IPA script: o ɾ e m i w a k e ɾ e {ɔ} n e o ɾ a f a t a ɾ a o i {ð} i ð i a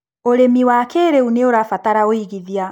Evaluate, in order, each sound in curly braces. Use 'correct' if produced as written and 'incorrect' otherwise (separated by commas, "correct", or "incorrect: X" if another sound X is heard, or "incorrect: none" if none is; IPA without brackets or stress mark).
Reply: incorrect: u, incorrect: ɣ